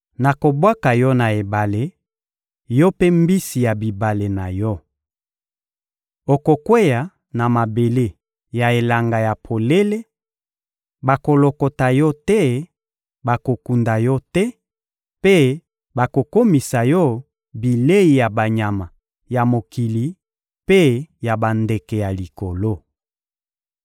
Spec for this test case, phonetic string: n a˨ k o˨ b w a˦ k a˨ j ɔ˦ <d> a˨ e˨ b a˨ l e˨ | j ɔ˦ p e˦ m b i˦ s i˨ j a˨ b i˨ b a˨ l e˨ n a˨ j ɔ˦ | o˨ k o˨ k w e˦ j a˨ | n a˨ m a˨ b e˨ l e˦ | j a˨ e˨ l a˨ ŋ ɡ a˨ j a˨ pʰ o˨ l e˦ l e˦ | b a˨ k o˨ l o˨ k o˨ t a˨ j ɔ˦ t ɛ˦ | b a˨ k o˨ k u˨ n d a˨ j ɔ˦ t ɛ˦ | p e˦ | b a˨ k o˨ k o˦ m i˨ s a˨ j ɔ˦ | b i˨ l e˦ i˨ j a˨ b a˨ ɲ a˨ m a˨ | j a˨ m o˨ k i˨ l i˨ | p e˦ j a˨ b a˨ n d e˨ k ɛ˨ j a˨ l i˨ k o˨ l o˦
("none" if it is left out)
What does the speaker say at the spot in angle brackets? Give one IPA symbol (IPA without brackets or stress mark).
n